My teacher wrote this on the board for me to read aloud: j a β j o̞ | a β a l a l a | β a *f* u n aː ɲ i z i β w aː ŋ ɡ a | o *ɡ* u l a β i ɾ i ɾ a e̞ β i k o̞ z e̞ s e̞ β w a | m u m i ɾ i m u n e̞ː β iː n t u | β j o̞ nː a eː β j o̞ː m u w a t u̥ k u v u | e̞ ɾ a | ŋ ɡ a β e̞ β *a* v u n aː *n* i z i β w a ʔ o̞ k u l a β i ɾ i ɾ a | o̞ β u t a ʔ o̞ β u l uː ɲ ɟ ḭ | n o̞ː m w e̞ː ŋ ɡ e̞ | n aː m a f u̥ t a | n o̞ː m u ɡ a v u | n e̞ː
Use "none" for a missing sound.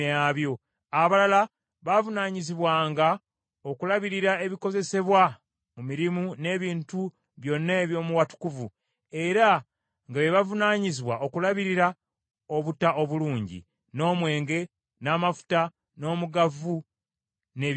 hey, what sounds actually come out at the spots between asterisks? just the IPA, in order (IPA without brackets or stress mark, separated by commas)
v, k, a, ɲ